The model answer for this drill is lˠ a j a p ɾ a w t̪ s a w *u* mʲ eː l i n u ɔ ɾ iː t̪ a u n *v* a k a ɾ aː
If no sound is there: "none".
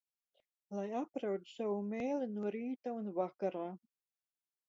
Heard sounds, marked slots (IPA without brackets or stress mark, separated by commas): u, v